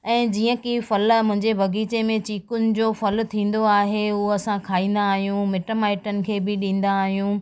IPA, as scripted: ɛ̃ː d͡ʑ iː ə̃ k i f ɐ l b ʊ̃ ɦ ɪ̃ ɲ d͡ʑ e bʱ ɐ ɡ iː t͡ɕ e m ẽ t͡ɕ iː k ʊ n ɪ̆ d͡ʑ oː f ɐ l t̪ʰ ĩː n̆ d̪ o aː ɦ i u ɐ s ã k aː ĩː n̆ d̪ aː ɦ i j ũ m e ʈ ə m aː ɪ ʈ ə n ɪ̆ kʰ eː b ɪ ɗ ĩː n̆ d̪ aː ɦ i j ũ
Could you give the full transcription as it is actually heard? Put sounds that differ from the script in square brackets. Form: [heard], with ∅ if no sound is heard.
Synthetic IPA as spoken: ɛ̃ː d͡ʑ iː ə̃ k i f ɐ l [m] ʊ̃ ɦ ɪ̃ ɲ d͡ʑ e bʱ ɐ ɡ iː t͡ɕ e m ẽ t͡ɕ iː k ʊ n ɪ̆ d͡ʑ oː f ɐ l t̪ʰ ĩː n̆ d̪ o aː ɦ [e] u ɐ s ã [kʰ] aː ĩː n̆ d̪ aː ɦ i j ũ m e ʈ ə m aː ɪ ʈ ə n ɪ̆ kʰ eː b ɪ ɗ ĩː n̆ d̪ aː ɦ i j ũ